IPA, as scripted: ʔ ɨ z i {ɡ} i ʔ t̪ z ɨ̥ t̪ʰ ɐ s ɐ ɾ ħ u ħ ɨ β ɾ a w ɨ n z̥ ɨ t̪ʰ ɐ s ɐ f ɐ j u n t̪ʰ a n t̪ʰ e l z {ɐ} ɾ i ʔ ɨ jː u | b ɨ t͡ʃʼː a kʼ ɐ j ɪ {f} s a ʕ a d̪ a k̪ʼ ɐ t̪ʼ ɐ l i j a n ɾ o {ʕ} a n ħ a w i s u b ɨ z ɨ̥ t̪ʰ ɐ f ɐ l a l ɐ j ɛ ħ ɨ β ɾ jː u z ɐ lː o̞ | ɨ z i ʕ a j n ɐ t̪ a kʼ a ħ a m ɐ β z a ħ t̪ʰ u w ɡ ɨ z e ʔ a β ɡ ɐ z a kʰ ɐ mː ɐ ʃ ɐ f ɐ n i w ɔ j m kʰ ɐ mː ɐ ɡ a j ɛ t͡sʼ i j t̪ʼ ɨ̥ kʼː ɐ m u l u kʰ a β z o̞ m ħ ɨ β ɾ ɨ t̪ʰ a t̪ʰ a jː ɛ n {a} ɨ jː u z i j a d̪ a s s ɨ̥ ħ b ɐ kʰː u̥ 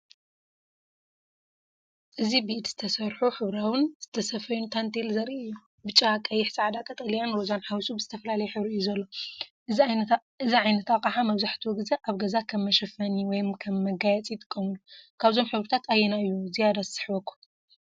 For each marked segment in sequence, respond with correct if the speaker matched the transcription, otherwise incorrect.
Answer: incorrect: b, correct, incorrect: ħ, incorrect: z, correct

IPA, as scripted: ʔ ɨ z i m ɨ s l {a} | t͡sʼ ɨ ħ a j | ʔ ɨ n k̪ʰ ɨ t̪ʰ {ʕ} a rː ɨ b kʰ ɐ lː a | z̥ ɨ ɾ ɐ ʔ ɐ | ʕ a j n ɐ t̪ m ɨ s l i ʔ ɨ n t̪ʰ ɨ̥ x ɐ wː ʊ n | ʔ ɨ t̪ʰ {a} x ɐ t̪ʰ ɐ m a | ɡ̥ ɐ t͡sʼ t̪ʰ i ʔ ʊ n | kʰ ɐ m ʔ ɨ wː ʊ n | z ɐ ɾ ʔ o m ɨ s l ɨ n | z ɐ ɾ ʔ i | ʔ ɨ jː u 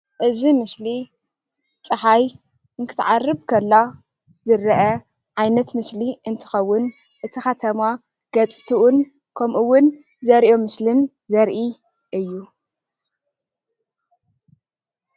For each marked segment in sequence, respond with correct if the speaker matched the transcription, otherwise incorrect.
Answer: incorrect: i, correct, incorrect: i

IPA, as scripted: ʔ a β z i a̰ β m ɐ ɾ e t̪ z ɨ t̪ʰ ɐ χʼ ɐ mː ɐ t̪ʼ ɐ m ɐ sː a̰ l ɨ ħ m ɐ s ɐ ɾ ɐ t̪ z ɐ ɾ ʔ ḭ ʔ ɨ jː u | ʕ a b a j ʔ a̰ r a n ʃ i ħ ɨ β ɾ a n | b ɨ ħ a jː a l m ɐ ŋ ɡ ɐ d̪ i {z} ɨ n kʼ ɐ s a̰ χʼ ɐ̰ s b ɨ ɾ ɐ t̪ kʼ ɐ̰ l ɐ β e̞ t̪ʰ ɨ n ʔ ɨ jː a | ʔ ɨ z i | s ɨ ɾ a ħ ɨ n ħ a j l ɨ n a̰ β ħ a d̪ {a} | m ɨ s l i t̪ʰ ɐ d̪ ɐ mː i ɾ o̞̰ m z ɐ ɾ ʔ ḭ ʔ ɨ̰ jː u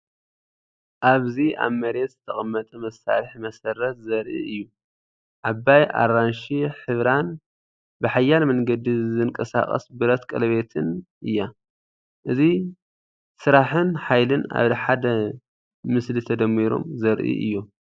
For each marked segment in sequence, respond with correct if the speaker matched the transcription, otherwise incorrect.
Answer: correct, incorrect: ɐ

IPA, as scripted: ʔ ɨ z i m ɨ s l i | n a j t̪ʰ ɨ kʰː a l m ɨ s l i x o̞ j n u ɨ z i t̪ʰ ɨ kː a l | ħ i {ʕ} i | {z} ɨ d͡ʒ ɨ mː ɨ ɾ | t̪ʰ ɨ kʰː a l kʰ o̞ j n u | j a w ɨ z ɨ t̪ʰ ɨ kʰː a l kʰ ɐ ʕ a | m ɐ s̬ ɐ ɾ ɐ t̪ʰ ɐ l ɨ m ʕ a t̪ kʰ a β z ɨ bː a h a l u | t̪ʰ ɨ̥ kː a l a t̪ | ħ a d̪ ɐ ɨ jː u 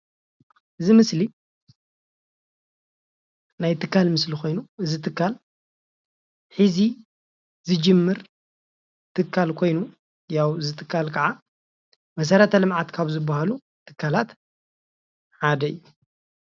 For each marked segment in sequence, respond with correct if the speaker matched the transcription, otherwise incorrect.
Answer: incorrect: z, correct

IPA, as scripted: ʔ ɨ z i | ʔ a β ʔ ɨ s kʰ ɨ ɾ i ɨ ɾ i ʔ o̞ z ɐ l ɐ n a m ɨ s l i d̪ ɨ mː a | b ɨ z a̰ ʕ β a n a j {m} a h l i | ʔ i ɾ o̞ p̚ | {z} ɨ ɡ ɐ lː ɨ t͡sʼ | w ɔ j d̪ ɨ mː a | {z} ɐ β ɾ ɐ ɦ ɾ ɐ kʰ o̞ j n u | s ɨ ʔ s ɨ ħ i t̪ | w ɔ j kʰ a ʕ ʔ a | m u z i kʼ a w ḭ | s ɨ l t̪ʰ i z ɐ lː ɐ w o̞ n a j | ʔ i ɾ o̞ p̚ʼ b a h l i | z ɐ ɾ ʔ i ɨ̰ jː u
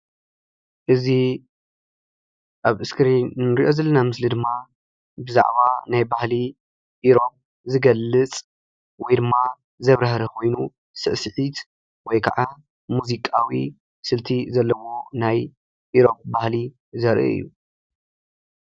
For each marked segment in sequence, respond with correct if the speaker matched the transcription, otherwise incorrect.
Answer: incorrect: b, correct, correct

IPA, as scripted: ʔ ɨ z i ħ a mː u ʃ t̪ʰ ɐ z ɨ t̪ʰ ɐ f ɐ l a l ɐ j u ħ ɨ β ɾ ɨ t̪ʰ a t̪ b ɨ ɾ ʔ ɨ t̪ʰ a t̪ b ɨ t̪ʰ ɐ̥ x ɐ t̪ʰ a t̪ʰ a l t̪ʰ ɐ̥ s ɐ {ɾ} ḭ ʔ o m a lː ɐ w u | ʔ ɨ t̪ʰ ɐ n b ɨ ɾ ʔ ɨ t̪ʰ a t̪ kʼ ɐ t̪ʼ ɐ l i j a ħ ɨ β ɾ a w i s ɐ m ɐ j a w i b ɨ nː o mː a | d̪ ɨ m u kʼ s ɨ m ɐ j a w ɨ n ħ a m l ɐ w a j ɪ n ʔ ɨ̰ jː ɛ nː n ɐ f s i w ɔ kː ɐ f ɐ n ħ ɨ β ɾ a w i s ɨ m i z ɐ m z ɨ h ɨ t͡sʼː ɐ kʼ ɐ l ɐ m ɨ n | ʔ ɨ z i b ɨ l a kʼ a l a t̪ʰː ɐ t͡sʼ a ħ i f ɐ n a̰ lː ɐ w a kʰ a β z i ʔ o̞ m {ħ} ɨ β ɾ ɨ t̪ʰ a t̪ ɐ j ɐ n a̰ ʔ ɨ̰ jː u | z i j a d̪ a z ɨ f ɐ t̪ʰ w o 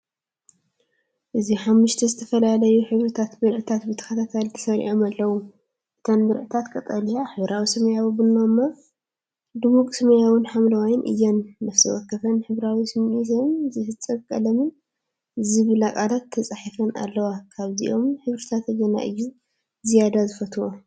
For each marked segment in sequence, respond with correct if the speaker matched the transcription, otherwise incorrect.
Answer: correct, correct

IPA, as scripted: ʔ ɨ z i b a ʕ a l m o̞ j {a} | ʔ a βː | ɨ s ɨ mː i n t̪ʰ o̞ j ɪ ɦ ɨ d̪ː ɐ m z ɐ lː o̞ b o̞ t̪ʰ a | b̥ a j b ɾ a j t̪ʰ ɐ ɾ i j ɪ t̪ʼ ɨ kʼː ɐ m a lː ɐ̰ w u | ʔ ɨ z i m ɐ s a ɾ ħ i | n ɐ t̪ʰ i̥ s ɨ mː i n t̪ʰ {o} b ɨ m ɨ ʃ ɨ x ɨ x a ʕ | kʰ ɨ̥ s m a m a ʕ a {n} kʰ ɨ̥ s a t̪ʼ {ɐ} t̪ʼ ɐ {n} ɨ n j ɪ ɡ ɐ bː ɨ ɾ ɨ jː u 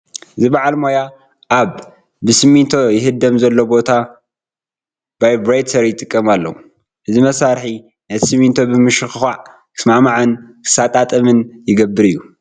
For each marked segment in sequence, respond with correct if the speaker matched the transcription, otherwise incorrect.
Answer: correct, correct, correct, incorrect: a, incorrect: m

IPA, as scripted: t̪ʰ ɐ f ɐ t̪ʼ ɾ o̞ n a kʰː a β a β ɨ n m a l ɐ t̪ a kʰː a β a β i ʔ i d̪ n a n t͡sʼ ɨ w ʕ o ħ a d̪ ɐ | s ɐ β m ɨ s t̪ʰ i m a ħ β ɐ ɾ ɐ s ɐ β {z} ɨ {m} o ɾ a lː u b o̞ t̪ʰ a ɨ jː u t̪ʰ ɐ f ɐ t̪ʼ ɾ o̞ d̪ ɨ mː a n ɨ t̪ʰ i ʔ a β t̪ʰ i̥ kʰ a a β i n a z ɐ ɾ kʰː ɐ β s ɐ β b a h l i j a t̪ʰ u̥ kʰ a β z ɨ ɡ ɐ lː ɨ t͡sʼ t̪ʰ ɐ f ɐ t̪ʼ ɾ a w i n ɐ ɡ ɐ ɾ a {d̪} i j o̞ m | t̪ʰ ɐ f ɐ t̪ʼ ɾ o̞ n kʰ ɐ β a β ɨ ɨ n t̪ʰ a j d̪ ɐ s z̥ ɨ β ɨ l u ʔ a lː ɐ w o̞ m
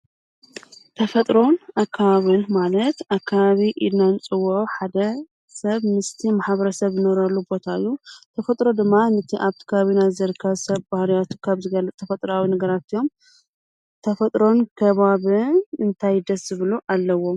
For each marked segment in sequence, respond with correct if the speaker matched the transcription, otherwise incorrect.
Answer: correct, incorrect: n, incorrect: t̪

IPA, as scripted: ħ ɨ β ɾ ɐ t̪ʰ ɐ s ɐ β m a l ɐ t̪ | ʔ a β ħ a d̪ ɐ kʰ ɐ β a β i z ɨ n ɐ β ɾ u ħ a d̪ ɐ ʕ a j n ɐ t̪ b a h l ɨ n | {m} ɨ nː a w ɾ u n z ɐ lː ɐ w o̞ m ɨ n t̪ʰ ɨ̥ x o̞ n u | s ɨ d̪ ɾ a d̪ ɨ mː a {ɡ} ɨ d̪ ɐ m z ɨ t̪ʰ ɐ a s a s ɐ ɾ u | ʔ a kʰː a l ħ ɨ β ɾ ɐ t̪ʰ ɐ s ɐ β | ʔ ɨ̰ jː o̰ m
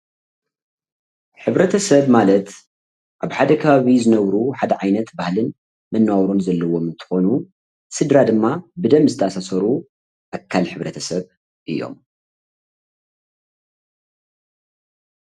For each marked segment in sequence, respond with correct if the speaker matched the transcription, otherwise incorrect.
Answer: correct, incorrect: b

